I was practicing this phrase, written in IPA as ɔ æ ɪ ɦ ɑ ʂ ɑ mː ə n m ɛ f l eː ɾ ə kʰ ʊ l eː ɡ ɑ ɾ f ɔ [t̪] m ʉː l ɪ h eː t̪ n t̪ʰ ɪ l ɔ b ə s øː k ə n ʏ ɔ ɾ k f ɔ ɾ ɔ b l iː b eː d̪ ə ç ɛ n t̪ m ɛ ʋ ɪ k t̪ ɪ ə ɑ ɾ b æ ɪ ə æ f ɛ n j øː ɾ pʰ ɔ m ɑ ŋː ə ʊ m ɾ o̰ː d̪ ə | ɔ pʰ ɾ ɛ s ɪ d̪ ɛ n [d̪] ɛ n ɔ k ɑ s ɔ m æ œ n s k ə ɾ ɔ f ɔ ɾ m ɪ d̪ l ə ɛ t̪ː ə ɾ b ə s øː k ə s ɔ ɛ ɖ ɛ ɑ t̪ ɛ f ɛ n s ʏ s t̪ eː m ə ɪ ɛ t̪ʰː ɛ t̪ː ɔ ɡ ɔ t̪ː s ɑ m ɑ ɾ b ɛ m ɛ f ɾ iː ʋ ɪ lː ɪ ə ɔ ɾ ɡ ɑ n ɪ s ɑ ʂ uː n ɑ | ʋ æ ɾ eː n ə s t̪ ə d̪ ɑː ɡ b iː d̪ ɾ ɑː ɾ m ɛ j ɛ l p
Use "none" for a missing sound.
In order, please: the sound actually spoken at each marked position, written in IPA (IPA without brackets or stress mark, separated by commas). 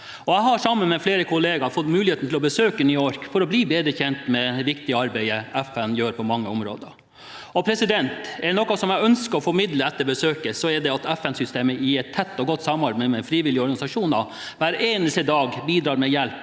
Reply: t̪, t̪